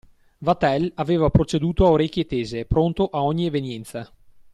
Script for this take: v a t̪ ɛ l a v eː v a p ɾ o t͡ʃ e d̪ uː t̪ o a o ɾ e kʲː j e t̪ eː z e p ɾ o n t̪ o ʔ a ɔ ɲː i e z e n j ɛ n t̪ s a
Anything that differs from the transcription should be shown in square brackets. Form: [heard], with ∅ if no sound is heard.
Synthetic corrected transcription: v a t̪ ɛ l a v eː v a p ɾ o t͡ʃ e d̪ uː t̪ o a o ɾ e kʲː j e t̪ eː z e p ɾ o n t̪ o ʔ a ɔ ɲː i e [v] e n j ɛ n t̪ s a

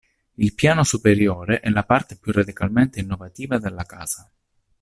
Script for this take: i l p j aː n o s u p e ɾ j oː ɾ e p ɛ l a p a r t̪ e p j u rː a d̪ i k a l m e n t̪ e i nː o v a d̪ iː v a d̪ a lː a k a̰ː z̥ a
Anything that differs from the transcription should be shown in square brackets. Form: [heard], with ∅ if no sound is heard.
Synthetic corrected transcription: i l p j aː n o s u p e ɾ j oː ɾ e [ʔ] ɛ l a p a r t̪ e p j u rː a d̪ i k a l m e n t̪ e i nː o v a [t̪] iː v a d̪ [e] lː a k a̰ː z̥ a

